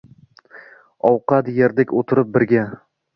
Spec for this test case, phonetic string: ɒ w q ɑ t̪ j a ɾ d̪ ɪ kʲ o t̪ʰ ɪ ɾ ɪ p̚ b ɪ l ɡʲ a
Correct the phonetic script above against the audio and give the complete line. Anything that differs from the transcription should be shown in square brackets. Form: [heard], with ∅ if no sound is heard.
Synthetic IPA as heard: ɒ w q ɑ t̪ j [e] ɾ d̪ ɪ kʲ o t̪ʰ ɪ ɾ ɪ p̚ b ɪ [ɾ] ɡʲ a